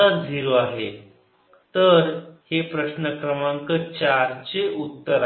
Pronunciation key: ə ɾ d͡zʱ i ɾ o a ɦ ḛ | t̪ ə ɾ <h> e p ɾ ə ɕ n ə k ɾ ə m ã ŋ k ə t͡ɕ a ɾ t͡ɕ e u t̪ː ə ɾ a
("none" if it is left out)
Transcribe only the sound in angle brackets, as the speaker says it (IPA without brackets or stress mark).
h